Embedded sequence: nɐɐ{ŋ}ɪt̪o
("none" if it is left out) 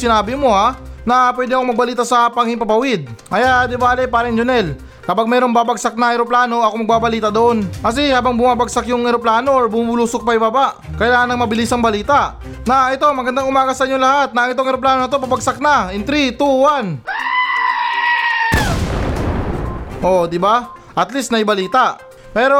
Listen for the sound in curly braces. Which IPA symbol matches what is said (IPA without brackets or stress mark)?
ŋ